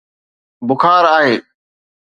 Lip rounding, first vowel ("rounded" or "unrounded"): rounded